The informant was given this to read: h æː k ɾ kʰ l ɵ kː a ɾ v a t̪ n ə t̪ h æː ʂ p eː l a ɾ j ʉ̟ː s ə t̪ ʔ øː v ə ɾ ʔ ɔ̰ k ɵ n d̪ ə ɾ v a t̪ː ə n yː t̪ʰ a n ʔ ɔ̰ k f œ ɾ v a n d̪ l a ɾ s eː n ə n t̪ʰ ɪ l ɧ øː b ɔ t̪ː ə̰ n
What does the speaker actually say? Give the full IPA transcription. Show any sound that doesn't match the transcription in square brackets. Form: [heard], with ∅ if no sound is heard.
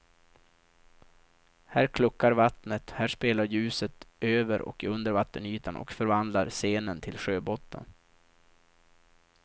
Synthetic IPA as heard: h æː [∅] ɾ kʰ l ɵ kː a ɾ v a t̪ n ə t̪ h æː ʂ p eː l a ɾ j ʉ̟ː s ə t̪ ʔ øː v ə ɾ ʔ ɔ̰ k ɵ n d̪ ə ɾ v a t̪ː ə n yː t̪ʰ a n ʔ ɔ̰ k f œ ɾ v a n d̪ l a ɾ s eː n ə n t̪ʰ ɪ l ɧ øː b ɔ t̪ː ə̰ n